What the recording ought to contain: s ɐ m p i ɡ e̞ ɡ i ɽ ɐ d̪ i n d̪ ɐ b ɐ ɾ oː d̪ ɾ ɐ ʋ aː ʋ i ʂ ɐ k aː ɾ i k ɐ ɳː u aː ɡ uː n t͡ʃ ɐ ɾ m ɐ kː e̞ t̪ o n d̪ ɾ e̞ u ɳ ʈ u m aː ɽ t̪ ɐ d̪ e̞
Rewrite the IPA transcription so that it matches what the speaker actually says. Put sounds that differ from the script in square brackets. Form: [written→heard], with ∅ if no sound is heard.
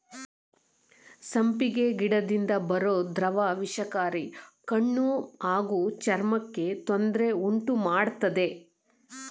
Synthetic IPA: s ɐ m p i ɡ e̞ ɡ i ɽ ɐ d̪ i n d̪ ɐ b ɐ ɾ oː d̪ ɾ ɐ ʋ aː ʋ i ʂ ɐ k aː ɾ i k ɐ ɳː u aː ɡ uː [n→∅] t͡ʃ ɐ ɾ m ɐ kː e̞ t̪ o n d̪ ɾ e̞ u ɳ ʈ u m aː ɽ t̪ ɐ d̪ e̞

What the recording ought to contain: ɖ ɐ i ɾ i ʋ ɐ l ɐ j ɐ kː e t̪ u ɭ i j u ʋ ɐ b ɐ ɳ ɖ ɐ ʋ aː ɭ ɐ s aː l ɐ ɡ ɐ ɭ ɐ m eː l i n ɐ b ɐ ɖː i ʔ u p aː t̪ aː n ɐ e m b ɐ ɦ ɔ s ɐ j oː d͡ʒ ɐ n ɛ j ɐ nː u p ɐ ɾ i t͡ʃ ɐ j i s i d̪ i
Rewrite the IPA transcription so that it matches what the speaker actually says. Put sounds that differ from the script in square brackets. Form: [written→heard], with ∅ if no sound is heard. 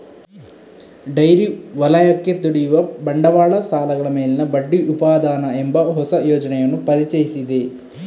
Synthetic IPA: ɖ ɐ [i→j] ɾ i ʋ ɐ l ɐ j ɐ kː e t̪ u [ɭ→ɽ] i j u ʋ ɐ b ɐ ɳ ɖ ɐ ʋ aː ɭ ɐ s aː l ɐ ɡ ɐ ɭ ɐ m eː l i n ɐ b ɐ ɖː i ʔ u p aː [t̪→d̪] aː n ɐ e m b ɐ ɦ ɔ s ɐ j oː d͡ʒ ɐ n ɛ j ɐ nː u p ɐ ɾ i t͡ʃ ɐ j i s i d̪ [i→e]

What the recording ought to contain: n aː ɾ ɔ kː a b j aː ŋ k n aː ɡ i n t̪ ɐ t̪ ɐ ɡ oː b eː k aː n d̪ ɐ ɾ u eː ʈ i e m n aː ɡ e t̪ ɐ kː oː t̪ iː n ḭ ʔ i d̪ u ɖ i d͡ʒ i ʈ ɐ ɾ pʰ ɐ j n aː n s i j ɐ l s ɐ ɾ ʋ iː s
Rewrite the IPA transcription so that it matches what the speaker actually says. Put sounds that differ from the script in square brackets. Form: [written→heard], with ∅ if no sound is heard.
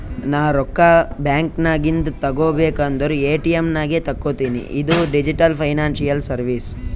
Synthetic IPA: n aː ɾ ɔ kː a b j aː ŋ k n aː ɡ i n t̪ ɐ t̪ ɐ ɡ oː b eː k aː n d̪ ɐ ɾ u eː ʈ i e m n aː ɡ e t̪ ɐ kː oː t̪ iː n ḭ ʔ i d̪ u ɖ i d͡ʒ i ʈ ɐ [ɾ→l] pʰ ɐ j n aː n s i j ɐ l s ɐ ɾ ʋ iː s

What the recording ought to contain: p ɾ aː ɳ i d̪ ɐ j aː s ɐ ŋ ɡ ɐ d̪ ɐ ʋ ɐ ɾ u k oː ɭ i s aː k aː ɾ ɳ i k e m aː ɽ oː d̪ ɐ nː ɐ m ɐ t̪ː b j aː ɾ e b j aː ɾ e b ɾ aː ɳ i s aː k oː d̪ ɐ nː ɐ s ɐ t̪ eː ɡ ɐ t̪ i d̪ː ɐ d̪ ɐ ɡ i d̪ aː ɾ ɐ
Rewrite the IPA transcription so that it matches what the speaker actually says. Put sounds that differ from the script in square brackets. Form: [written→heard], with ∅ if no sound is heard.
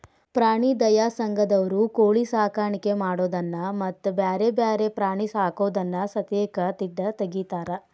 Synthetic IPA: p ɾ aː ɳ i d̪ ɐ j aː s ɐ ŋ ɡ ɐ d̪ ɐ ʋ ɐ ɾ u k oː ɭ i s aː k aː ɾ ɳ i k e m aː ɽ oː d̪ ɐ nː ɐ m ɐ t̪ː b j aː ɾ e b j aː ɾ e [b→p] ɾ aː ɳ i s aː k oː d̪ ɐ nː ɐ s ɐ t̪ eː [ɡ→k] ɐ t̪ i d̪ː ɐ [d̪→t̪] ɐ ɡ i [d̪→t̪] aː ɾ ɐ

